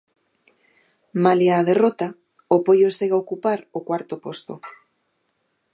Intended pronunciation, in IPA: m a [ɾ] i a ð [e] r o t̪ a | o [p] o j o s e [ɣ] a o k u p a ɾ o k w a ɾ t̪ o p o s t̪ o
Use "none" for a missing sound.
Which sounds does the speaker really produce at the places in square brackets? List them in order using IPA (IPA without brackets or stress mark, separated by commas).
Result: l, e, p, ɣ